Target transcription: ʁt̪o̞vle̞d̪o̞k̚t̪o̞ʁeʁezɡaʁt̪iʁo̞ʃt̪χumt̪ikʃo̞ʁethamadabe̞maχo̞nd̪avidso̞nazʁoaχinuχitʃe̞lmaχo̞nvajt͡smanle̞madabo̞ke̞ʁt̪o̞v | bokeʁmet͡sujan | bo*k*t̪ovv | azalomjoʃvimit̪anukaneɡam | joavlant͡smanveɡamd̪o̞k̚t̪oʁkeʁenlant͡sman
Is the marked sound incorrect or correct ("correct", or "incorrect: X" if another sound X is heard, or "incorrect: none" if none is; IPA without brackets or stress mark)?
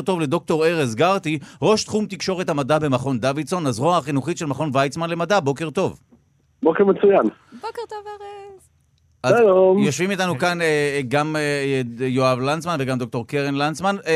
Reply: correct